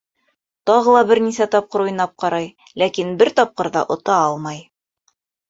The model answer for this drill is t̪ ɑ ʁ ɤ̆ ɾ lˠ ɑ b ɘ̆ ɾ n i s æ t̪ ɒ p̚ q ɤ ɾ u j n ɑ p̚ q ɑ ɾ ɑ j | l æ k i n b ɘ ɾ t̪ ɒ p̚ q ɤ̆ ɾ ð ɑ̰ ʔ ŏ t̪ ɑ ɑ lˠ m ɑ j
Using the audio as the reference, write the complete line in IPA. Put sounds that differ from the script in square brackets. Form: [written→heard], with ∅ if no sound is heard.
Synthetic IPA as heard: t̪ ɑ ʁ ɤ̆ [ɾ→∅] lˠ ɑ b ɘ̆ ɾ n i s æ t̪ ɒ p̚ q ɤ ɾ u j n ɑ p̚ q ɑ ɾ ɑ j | l æ k i n b ɘ ɾ t̪ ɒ p̚ q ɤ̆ ɾ ð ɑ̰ ʔ ŏ t̪ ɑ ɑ lˠ m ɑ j

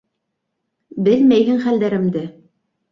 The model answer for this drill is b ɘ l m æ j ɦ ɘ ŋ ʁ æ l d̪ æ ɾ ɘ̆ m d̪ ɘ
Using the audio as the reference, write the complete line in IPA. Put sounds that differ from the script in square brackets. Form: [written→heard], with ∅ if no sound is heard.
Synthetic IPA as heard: b ɘ l m æ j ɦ ɘ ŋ [ʁ→χ] æ l d̪ æ ɾ ɘ̆ m d̪ ɘ

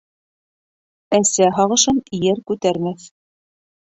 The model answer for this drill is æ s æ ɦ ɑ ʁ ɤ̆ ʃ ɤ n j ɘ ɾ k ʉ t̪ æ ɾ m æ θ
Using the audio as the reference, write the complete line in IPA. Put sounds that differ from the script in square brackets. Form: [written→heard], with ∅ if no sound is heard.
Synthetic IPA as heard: æ s æ ɦ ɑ ʁ ɤ̆ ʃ ɤ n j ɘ ɾ k ʉ t̪ æ ɾ m æ θ

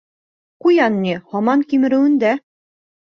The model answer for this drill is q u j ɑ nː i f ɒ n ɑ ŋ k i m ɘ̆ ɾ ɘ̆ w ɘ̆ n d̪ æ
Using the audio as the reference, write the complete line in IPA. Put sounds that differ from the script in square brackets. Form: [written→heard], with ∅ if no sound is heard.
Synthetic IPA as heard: q u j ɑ nː i [f→h] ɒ [n→m] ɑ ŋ k i m ɘ̆ ɾ ɘ̆ w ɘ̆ n d̪ æ

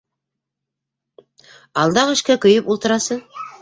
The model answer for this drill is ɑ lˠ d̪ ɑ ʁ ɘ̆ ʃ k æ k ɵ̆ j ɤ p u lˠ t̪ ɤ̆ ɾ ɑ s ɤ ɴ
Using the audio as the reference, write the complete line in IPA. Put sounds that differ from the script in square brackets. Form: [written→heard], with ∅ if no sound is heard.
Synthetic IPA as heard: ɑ lˠ d̪ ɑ ʁ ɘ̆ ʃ k æ k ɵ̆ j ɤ p u lˠ t̪ ɤ̆ ɾ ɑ s ɤ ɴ

